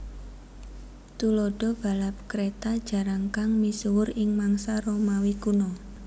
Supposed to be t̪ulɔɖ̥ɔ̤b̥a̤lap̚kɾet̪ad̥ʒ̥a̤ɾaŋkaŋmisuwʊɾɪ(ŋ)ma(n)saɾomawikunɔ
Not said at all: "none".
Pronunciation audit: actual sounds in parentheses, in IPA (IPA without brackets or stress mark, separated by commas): ŋ, ŋ